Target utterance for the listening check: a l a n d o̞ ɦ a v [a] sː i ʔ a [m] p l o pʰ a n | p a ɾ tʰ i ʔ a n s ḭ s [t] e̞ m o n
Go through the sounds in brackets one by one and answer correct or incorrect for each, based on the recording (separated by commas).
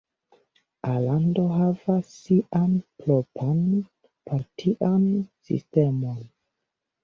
correct, incorrect, correct